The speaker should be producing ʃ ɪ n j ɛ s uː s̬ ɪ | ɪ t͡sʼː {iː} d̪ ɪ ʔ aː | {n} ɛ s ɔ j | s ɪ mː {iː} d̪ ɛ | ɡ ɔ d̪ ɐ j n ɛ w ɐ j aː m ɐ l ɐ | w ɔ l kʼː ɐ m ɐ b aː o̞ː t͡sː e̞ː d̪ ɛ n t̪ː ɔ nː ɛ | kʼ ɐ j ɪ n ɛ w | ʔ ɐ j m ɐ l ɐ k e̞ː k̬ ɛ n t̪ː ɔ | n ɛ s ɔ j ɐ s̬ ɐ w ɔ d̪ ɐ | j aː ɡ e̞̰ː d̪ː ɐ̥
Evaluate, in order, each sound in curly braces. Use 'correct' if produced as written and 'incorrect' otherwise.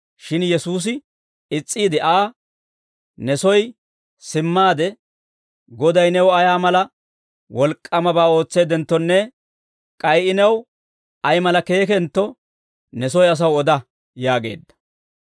correct, correct, incorrect: aː

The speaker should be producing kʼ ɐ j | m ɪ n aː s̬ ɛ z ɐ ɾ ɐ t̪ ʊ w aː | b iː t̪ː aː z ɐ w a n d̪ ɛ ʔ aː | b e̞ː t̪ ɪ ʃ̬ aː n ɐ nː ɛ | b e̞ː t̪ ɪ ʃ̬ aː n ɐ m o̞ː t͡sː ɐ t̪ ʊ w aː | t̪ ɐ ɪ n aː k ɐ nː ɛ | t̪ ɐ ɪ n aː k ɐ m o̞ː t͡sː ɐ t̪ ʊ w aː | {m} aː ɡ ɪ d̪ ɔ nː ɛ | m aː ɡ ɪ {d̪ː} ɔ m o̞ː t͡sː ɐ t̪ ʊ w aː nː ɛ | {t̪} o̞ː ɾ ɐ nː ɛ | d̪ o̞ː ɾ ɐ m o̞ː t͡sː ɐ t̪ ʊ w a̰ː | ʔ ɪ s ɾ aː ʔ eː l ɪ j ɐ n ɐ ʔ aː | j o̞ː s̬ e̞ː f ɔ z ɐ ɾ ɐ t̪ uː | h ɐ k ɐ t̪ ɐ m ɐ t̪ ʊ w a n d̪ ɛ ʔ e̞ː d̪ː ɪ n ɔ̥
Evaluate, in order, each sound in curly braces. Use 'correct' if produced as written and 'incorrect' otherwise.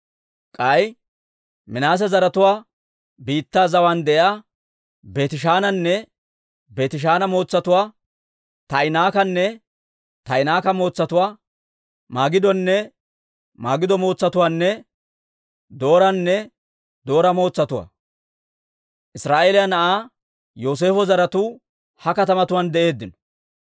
correct, incorrect: d̪, incorrect: d̪

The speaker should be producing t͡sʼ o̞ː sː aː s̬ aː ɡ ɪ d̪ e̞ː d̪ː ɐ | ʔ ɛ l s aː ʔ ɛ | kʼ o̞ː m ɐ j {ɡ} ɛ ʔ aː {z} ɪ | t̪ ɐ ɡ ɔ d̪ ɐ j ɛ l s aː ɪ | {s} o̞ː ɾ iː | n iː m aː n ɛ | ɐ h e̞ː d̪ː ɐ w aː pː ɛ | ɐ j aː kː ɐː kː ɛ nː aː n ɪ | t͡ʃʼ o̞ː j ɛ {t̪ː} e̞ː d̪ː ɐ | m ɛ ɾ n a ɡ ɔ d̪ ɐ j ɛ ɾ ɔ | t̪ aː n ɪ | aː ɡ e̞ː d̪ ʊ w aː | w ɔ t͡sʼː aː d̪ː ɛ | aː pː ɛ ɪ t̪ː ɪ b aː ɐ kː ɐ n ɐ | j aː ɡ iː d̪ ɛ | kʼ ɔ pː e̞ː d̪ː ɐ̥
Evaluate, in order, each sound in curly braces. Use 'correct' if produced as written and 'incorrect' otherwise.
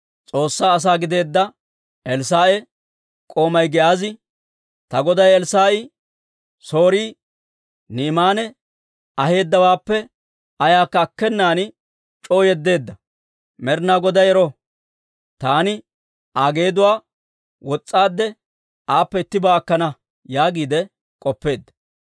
correct, correct, correct, incorrect: d̪ː

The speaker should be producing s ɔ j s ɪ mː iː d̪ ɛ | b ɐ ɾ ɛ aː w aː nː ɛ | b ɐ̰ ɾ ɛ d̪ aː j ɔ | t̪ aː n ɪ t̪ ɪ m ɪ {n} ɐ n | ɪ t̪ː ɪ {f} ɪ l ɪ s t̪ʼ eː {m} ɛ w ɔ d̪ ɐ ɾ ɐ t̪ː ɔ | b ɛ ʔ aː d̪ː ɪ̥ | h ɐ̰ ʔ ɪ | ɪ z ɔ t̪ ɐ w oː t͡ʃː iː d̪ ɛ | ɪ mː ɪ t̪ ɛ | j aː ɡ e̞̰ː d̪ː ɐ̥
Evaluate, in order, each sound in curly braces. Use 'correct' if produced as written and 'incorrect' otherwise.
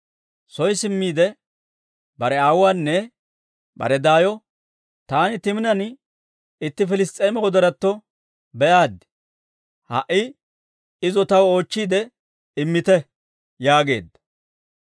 correct, correct, correct

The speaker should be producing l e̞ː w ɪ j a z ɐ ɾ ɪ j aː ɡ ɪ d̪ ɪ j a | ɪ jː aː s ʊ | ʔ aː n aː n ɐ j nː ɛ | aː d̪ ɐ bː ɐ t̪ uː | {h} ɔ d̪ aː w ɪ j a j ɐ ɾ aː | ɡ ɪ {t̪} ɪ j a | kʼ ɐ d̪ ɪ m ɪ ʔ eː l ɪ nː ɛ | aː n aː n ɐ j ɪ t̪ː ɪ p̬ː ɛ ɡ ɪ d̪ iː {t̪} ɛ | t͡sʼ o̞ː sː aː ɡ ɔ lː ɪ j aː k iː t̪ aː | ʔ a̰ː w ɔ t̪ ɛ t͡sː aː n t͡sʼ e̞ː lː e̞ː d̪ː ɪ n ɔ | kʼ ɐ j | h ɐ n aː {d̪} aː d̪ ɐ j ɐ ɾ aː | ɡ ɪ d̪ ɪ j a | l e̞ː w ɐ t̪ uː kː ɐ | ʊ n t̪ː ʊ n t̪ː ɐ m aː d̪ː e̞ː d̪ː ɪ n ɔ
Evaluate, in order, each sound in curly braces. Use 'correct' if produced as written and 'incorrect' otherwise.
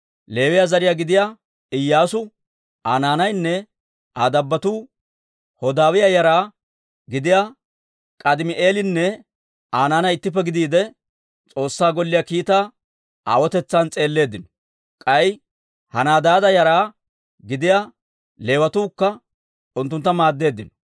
correct, incorrect: d̪, incorrect: d̪, correct

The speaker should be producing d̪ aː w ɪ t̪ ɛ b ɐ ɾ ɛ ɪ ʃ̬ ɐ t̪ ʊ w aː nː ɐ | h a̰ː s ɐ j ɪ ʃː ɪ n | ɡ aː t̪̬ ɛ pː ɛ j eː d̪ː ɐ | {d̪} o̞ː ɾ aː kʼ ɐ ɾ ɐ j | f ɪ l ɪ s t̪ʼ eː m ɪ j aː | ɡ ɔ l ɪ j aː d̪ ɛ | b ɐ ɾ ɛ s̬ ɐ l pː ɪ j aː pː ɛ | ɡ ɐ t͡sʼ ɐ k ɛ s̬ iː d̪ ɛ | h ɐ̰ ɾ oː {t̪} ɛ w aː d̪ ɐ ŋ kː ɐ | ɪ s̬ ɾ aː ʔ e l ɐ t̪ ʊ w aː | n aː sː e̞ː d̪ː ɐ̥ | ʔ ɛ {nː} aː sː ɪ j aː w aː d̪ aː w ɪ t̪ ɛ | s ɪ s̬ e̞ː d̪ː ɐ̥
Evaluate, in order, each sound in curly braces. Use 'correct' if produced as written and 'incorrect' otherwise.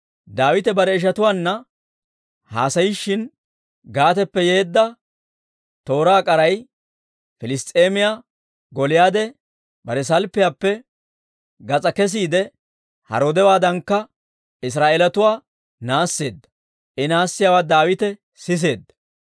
incorrect: t̪, incorrect: d̪, incorrect: n

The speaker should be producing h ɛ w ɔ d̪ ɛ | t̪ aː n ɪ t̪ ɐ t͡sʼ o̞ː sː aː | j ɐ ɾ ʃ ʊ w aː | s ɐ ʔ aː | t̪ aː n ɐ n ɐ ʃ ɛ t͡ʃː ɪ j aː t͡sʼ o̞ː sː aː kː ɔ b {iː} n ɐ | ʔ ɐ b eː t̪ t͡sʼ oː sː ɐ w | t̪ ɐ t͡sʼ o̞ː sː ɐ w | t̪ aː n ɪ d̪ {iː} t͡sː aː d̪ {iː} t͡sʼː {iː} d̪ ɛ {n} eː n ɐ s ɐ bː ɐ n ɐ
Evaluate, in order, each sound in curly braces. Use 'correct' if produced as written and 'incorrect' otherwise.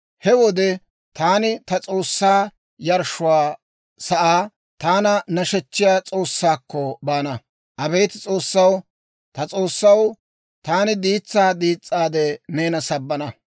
incorrect: aː, correct, correct, incorrect: aː, correct

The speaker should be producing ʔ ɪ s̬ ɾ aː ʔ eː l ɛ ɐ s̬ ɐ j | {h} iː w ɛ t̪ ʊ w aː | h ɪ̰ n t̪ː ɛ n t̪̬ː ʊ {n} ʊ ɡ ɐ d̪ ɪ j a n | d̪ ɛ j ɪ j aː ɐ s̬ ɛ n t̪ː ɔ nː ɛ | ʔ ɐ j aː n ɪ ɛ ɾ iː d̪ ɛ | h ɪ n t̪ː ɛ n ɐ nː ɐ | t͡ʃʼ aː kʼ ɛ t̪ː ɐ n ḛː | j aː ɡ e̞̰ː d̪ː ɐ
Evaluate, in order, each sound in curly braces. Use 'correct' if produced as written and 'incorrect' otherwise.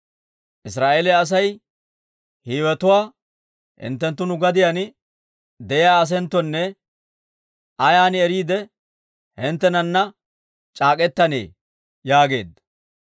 correct, correct

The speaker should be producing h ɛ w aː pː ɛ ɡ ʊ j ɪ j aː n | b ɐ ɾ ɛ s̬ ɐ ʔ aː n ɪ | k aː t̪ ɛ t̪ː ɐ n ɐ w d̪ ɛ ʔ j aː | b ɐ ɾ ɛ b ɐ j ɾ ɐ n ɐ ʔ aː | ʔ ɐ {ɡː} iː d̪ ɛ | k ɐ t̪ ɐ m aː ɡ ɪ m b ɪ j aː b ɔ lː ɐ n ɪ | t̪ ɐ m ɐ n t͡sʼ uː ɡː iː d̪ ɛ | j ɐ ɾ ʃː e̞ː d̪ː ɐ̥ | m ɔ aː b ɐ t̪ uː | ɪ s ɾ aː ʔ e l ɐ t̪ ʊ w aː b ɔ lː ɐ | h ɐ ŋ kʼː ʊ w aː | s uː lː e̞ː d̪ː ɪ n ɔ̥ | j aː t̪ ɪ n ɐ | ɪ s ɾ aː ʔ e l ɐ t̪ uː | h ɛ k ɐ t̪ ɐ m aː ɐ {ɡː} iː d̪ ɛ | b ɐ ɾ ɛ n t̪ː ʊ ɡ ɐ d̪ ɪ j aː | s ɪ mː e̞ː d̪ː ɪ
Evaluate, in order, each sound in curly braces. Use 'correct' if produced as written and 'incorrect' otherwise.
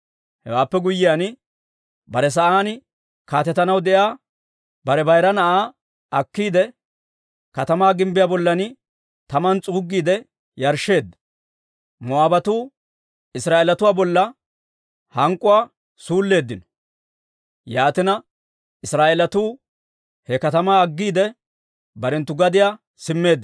incorrect: kː, correct

